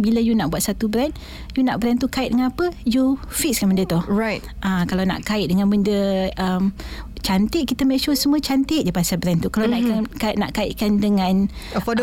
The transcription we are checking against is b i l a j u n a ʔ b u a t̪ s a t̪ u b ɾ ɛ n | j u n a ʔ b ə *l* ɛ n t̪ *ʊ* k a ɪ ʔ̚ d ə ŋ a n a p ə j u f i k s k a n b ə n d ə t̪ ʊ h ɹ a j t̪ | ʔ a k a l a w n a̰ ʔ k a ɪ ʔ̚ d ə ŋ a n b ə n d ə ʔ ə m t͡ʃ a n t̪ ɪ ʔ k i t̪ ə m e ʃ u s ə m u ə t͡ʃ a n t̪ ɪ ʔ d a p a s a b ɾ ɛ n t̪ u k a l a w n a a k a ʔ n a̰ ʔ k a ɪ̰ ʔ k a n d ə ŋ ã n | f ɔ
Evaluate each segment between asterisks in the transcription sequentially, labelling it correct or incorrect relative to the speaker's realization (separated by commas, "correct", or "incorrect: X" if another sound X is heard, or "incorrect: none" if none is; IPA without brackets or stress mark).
incorrect: ɾ, incorrect: u